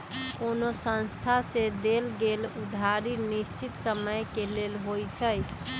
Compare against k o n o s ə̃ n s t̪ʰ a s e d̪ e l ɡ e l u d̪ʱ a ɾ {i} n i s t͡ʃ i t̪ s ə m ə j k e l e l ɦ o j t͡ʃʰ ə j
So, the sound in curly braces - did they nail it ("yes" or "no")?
yes